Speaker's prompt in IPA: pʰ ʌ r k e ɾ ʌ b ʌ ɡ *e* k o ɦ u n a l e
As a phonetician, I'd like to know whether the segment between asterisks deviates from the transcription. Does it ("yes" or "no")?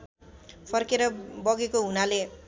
no